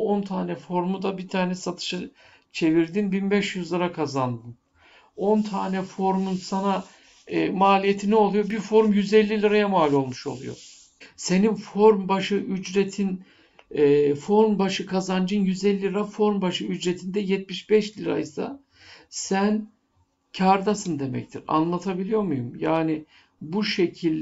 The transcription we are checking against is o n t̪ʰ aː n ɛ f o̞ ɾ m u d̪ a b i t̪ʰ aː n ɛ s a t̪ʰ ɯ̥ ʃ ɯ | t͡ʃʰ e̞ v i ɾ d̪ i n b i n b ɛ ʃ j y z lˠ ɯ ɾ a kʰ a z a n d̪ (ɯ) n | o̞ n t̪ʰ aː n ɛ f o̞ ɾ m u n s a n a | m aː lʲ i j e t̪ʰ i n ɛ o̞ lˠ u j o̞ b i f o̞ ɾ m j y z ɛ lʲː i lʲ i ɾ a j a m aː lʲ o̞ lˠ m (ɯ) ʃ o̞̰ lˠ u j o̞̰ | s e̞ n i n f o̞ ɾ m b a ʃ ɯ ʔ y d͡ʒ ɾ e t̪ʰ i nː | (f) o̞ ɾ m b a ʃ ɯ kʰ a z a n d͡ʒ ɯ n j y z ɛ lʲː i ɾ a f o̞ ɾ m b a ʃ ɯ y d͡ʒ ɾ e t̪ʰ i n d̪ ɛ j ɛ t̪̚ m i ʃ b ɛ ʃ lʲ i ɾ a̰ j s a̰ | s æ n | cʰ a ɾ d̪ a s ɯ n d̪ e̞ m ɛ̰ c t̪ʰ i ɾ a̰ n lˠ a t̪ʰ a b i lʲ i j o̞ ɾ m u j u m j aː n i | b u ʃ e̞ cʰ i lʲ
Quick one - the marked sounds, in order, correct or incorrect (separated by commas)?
correct, incorrect, correct